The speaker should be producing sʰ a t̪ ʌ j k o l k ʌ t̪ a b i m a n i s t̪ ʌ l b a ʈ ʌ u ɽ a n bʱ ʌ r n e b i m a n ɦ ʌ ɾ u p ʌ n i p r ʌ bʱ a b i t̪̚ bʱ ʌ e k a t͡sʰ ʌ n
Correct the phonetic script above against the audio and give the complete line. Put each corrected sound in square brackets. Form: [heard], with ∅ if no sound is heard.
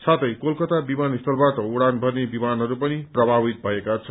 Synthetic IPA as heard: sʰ a t̪ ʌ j k o l k ʌ t̪ a b i m a n i s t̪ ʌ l b a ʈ ʌ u ɽ a n bʱ ʌ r n e b i m a n ɦ ʌ ɾ u p ʌ n i p r ʌ bʱ a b i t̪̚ bʱ ʌ e k a t͡sʰ ʌ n